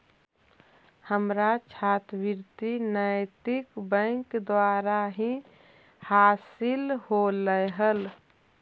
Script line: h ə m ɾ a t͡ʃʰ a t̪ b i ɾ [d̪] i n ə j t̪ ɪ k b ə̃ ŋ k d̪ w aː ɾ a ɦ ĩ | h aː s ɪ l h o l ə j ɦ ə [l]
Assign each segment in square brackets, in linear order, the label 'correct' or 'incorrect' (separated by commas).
incorrect, correct